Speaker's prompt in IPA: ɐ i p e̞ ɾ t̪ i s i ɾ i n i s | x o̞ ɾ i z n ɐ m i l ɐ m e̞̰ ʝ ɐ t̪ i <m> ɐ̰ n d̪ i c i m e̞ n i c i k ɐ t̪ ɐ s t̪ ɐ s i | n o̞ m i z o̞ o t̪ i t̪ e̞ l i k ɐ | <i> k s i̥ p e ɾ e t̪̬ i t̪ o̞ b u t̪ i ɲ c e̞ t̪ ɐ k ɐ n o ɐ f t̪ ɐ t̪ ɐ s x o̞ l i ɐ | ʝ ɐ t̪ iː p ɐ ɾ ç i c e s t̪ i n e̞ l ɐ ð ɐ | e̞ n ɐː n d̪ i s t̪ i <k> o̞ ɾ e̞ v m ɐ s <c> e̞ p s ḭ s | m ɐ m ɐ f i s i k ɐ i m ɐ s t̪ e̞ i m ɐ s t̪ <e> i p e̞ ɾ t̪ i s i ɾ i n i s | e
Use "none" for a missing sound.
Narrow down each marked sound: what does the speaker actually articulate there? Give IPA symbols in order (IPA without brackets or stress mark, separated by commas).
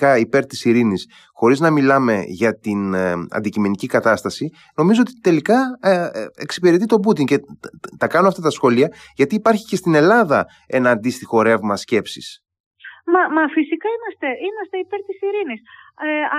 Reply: n, e, x, c, e